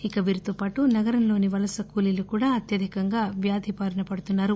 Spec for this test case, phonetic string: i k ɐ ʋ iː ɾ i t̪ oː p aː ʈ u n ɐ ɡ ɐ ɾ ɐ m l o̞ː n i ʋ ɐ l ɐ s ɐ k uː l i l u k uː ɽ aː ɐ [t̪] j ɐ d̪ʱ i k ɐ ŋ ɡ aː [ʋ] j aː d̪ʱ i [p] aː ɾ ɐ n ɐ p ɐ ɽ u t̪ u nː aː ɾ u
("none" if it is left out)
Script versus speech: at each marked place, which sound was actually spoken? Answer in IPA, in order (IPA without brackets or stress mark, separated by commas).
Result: t̪, ʋ, p